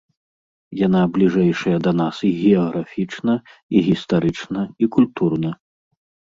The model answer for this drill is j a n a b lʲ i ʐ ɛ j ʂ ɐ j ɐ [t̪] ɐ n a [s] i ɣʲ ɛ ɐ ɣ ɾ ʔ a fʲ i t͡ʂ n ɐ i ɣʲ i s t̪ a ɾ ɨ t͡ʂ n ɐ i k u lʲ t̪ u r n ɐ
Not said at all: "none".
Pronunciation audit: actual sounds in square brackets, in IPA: d̪, s

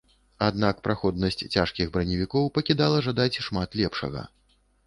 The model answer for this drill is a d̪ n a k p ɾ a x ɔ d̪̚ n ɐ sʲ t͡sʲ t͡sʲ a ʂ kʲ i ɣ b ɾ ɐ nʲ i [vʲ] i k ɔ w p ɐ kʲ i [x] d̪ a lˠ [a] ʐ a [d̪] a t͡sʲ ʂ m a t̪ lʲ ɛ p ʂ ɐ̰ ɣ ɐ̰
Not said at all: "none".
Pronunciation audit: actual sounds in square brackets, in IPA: vʲ, none, ɐ, d̪

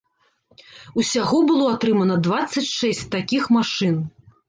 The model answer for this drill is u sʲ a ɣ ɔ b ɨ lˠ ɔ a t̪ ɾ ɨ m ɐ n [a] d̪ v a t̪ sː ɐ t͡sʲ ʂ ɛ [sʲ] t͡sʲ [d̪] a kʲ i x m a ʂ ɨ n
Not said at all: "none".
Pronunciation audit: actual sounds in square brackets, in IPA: ɐ, sʲ, t̪

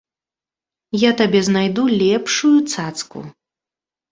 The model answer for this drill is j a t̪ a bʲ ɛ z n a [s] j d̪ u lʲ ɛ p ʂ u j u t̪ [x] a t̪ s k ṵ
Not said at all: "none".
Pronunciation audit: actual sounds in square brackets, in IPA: none, s

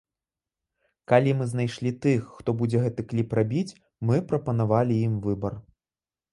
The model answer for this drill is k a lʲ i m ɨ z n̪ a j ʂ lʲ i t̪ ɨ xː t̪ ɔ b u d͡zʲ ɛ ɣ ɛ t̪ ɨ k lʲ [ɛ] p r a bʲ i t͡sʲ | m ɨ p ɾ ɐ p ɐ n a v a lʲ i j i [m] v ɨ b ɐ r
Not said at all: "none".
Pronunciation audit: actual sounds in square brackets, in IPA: i, m

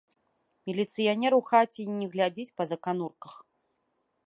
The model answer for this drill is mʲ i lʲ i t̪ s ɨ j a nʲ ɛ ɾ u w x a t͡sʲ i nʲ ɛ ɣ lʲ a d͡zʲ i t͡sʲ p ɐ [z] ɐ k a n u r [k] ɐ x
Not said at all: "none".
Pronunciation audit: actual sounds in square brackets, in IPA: z, k

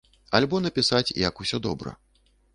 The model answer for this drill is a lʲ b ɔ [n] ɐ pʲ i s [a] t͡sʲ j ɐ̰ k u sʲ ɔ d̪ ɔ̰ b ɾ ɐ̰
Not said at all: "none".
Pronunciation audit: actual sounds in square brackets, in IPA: n, a

